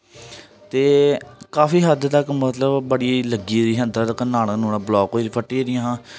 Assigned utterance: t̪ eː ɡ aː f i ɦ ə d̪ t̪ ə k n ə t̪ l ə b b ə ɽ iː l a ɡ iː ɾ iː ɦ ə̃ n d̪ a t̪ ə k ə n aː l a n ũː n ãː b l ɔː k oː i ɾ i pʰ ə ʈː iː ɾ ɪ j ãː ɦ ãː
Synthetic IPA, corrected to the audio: t̪ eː k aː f iː ɦ ə d̪ t̪ ə k m ə t̪ l ə b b ə ɽ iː l ə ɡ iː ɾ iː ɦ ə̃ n d̪ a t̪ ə k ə n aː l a n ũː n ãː b l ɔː k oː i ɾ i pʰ ə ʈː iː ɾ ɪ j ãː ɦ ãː